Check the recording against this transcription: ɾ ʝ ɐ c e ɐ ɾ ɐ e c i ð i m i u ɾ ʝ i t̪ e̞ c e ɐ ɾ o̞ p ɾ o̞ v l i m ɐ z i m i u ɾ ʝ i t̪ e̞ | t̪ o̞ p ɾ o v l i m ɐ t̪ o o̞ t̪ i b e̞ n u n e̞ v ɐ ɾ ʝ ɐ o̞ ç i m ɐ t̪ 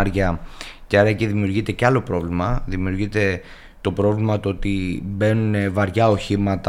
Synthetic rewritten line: ɾ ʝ ɐ c e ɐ ɾ ɐ e c i ð i m i u ɾ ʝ i t̪ e̞ c e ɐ l o̞ p ɾ o̞ v l i m ɐ ð i m i u ɾ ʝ i t̪ e̞ | t̪ o̞ p ɾ o v l i m ɐ t̪ o o̞ t̪ i b e̞ n u n e̞ v ɐ ɾ ʝ ɐ o̞ ç i m ɐ t̪